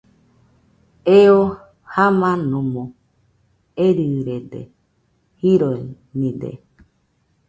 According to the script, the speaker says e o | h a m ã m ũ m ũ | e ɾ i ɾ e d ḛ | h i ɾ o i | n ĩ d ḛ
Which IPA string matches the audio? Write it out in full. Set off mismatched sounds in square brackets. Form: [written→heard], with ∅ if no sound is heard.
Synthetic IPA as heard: e o | h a m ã [m→n] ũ m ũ | e ɾ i ɾ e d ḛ | h i ɾ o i | n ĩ d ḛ

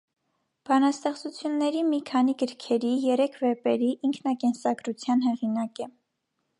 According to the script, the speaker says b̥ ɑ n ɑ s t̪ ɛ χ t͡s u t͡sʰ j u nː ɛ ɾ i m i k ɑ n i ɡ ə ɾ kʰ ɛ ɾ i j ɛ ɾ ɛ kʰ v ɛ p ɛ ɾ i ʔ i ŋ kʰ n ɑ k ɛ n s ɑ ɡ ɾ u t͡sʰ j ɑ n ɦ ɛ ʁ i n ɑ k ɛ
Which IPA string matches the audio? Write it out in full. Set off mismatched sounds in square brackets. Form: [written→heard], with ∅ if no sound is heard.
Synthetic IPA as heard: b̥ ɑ n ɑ s t̪ ɛ χ t͡s u t͡sʰ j u nː ɛ ɾ i m i [k→kʰ] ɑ n i ɡ ə ɾ kʰ ɛ ɾ i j ɛ ɾ ɛ kʰ v ɛ p ɛ ɾ i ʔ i ŋ kʰ n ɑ k ɛ n s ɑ ɡ ɾ u t͡sʰ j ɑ n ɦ ɛ ʁ i n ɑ k ɛ

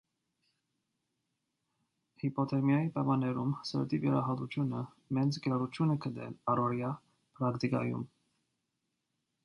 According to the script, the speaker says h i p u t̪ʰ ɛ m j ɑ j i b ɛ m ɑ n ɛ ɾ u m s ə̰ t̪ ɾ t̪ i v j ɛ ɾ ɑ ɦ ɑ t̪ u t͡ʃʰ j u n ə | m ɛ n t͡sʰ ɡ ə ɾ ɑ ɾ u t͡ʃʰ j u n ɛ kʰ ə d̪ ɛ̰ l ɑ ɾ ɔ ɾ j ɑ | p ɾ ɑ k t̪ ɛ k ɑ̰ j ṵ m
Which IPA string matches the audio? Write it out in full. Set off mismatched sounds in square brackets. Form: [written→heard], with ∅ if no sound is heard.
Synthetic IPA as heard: h i p [u→ɔ] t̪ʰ ɛ m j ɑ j i [b→p] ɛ m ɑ n ɛ ɾ u m s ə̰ [t̪→∅] ɾ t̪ i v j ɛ ɾ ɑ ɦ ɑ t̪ u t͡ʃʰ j u n ə | m ɛ n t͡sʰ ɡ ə ɾ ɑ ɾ u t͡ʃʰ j u n ɛ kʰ ə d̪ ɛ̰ l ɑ ɾ ɔ ɾ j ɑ | p ɾ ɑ k t̪ [ɛ→i] k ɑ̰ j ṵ m

